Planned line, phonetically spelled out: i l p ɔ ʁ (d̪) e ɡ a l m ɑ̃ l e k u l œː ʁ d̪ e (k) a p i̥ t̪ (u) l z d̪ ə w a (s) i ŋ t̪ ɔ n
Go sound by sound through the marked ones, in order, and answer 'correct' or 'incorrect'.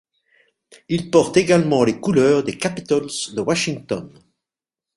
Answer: incorrect, correct, incorrect, incorrect

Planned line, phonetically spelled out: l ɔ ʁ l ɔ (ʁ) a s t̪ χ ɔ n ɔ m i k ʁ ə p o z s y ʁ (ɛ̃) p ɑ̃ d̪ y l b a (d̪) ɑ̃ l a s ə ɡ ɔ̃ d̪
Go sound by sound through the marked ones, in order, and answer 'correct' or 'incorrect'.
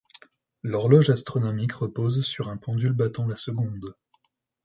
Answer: incorrect, correct, incorrect

